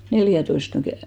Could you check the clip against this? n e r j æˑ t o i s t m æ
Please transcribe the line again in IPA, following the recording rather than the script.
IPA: n e l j æˑ t o i s t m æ